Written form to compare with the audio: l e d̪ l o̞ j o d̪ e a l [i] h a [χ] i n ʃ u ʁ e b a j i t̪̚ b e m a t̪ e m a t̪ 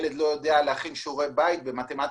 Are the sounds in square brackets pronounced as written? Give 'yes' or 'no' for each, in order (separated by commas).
no, yes